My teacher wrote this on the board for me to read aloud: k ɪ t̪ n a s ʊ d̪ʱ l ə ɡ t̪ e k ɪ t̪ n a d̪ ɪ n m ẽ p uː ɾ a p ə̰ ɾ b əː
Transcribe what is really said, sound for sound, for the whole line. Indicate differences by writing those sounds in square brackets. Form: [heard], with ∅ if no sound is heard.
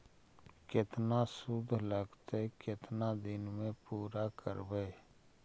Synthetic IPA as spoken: k ɪ t̪ n a s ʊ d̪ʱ l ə ɡ t̪ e k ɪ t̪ n a d̪ ɪ n m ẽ p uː ɾ a [k] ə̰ ɾ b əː